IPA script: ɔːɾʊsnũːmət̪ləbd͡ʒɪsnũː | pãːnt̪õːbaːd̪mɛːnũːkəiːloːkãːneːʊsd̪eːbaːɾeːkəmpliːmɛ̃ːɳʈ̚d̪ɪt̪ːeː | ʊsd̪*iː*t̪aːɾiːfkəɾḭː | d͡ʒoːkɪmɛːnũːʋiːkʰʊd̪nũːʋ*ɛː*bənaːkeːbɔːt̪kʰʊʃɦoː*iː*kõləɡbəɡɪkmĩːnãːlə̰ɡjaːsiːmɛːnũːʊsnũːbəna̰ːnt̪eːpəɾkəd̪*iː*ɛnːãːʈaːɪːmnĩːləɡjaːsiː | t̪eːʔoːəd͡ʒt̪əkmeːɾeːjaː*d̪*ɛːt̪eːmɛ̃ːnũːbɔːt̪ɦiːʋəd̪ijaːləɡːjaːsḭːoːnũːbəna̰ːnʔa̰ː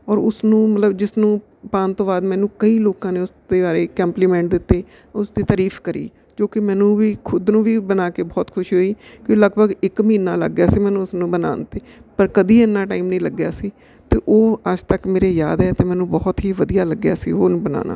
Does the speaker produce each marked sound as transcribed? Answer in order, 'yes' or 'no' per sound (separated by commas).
yes, no, yes, yes, yes